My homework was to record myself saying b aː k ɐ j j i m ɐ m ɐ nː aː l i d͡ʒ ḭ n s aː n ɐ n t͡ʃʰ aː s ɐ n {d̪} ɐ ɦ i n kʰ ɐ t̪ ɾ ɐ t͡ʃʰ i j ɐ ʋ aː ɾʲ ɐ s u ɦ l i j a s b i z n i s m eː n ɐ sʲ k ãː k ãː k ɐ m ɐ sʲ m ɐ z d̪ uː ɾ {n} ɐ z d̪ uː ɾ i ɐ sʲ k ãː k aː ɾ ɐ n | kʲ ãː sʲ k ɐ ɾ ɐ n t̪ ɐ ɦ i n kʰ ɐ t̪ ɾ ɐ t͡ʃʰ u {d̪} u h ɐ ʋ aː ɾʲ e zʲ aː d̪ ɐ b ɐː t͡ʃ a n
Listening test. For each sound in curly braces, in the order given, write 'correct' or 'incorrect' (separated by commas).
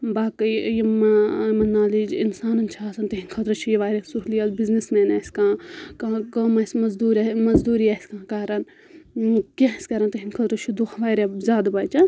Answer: incorrect, incorrect, correct